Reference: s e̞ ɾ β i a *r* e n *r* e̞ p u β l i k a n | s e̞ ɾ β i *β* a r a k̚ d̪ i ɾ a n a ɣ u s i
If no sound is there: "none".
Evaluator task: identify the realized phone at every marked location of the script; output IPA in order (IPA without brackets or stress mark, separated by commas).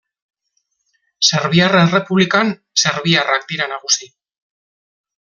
r, r, none